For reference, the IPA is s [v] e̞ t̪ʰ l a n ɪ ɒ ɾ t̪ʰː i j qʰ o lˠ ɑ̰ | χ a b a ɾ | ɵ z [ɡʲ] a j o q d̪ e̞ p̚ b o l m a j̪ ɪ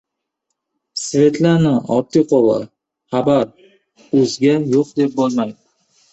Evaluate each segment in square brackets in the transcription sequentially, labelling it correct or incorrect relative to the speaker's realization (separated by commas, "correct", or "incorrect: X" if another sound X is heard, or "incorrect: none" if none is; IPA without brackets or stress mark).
correct, correct